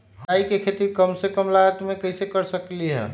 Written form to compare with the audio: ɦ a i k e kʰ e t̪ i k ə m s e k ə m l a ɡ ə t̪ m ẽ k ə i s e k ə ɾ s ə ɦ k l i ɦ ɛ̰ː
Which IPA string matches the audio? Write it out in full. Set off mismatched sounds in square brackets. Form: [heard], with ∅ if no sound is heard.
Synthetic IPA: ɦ a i k e kʰ e t̪ i k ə m s e k ə m l a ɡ ə t̪ m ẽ k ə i s e k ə ɾ s ə [∅] k l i ɦ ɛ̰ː

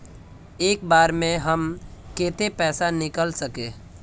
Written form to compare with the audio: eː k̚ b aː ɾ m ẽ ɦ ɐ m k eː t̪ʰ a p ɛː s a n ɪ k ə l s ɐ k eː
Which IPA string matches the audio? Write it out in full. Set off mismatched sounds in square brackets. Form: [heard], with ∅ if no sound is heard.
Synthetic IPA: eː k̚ b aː ɾ m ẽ ɦ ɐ m k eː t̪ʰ [e] p ɛː s a n ɪ k ə l s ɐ k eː

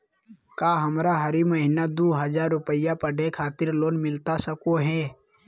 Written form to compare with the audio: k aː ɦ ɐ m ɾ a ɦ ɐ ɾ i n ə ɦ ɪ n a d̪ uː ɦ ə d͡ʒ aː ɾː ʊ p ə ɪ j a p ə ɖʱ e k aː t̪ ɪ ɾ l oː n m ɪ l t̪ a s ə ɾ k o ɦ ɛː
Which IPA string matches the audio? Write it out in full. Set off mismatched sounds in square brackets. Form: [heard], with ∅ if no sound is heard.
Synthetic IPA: k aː ɦ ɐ m ɾ a ɦ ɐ ɾ i [m] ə ɦ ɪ n a d̪ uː ɦ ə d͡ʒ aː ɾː ʊ p ə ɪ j a p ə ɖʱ e [kʰ] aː t̪ ɪ ɾ l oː n m ɪ l t̪ a s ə [∅] k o ɦ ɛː

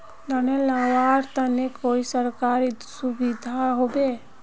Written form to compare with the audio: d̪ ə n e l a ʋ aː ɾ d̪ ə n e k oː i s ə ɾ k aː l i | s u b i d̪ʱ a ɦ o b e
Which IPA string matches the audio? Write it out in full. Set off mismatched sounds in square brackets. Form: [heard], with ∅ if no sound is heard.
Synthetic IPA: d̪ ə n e l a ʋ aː ɾ [t̪] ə n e k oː i s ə ɾ k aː [ɾ] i | s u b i d̪ʱ a ɦ o b e

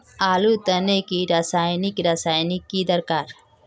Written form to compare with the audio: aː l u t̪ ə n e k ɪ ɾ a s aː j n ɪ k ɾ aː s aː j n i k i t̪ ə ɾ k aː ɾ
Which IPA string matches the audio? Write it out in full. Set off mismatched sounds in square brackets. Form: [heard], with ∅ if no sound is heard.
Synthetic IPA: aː l u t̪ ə n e k [i] ɾ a s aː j n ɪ k ɾ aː s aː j n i k i [d̪] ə ɾ k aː ɾ

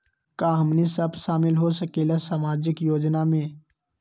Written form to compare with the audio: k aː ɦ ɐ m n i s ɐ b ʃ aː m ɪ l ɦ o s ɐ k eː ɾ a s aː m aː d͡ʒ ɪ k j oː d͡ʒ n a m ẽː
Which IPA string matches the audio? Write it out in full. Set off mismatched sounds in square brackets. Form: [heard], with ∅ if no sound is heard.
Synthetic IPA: k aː ɦ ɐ m n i s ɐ b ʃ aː m ɪ l ɦ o s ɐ k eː [l] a s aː m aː d͡ʒ ɪ k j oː d͡ʒ n a m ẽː

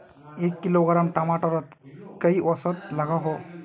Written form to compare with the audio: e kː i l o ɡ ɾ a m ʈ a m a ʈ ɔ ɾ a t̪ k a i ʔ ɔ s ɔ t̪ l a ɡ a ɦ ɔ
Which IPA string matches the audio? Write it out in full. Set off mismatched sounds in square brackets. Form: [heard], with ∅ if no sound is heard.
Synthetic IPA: e kː i l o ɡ ɾ a m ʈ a m a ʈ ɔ ɾ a t̪ k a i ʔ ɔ s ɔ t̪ l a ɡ a ɦ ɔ

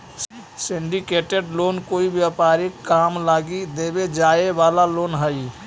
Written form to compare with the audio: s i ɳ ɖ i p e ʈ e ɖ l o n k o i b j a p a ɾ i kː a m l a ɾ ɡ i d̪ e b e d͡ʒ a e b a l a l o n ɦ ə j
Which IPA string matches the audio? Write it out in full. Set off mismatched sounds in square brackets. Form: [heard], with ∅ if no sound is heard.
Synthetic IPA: s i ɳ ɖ i [k] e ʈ e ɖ l o n k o i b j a p a ɾ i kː a m l a [∅] ɡ i d̪ e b e d͡ʒ a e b a l a l o n ɦ ə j

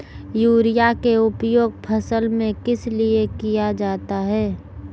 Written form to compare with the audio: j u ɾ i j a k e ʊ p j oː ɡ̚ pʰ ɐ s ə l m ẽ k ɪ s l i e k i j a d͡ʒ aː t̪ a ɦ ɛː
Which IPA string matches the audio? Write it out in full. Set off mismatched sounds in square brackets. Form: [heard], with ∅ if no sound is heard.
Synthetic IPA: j [uː] ɾ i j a k e ʊ p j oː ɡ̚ pʰ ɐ s ə l m ẽ k ɪ s l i e k i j a d͡ʒ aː t̪ a ɦ ɛː

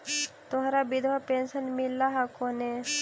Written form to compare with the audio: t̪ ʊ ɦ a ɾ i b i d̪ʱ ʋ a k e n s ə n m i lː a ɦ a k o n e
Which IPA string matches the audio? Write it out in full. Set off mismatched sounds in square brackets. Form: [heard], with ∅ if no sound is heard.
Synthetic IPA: t̪ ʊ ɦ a ɾ [a] b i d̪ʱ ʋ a [p] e n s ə n m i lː a ɦ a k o n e

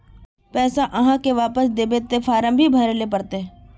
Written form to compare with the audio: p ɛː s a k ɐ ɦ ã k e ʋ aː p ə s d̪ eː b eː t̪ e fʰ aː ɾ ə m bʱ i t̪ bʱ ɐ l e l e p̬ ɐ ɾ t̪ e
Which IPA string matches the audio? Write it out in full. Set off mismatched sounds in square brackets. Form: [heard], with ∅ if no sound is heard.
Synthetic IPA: p ɛː s a [ʔ] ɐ ɦ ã k e ʋ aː p ə s d̪ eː b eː t̪ e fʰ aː ɾ ə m bʱ i [∅] bʱ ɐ [ɾ] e l e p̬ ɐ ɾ t̪ e

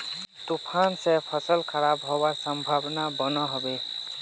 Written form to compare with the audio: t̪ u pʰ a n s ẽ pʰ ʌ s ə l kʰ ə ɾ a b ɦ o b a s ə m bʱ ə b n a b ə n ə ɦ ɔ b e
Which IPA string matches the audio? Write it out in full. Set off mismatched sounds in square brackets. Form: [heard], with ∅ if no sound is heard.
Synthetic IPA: t̪ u pʰ a n s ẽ pʰ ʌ s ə l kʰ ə ɾ a b ɦ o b a s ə m bʱ [a] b n a b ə n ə ɦ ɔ b e

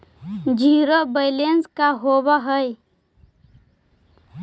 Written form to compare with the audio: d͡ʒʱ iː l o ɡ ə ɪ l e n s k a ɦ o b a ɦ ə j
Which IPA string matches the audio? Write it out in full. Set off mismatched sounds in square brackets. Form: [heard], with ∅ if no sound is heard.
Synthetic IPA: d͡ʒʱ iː [ɾ] o [b] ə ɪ l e n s k a ɦ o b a ɦ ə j

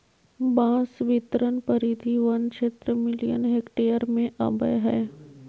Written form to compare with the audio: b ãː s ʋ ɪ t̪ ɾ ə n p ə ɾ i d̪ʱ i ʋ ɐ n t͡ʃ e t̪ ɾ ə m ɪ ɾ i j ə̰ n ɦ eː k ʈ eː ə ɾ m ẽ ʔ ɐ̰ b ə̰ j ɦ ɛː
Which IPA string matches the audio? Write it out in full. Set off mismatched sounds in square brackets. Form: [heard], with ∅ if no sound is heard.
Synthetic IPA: b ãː s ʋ ɪ t̪ ɾ ə n p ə ɾ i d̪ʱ i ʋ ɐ n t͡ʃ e t̪ ɾ ə m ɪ [l] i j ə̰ n ɦ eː k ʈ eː ə ɾ m ẽ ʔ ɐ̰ b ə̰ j ɦ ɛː

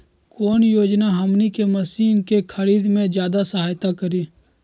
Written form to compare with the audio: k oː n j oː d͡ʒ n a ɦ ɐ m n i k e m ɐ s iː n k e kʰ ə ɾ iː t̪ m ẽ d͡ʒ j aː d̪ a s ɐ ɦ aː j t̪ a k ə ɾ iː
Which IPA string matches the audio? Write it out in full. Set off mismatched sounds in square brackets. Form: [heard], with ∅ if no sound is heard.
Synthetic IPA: k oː n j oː d͡ʒ n a ɦ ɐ m n i k e m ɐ s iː n k e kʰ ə ɾ iː [d̪] m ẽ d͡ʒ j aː d̪ a s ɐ ɦ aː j t̪ a k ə ɾ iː

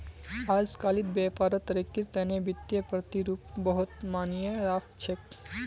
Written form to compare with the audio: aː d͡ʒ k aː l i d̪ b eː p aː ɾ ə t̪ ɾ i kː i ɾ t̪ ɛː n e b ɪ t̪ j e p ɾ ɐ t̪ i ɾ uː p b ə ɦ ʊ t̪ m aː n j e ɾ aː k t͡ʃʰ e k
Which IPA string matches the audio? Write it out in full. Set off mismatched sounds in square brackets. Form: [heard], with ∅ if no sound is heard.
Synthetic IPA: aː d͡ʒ k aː l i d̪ b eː p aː ɾ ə t̪ ɾ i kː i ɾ t̪ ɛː n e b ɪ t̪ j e p ɾ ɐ t̪ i ɾ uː p b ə ɦ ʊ t̪ m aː n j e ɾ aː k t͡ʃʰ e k

